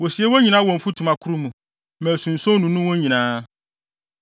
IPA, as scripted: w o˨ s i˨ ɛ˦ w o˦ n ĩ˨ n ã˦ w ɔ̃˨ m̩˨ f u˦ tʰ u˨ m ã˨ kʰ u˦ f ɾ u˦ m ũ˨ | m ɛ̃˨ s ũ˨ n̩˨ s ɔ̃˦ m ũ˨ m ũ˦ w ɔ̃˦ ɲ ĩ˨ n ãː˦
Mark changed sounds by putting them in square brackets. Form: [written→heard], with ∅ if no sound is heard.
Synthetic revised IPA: w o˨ s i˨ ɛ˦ w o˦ [n→ɲ] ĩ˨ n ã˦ w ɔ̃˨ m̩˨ f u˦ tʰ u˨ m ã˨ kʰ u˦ [f→∅] ɾ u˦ m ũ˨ | m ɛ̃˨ s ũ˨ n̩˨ s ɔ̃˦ [m→n] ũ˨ [m→n] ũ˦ w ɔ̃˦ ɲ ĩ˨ n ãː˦